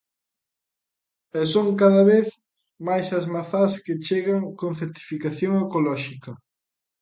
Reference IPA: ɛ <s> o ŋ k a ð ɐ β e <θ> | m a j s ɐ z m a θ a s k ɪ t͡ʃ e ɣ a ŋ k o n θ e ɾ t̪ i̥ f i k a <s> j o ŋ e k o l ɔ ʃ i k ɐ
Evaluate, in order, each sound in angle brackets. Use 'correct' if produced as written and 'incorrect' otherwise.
correct, correct, incorrect

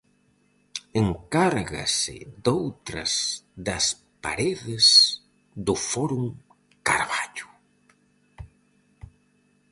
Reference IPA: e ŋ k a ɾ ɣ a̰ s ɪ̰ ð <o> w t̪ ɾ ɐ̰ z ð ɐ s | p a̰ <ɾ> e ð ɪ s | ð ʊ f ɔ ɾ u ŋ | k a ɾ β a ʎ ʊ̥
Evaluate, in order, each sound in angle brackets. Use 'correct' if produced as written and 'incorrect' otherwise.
correct, correct

